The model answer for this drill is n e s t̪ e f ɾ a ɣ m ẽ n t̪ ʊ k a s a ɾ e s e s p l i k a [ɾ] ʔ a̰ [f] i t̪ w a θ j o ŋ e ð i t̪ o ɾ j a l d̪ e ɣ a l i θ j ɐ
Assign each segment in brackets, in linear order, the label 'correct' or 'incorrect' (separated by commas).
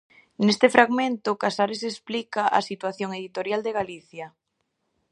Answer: incorrect, incorrect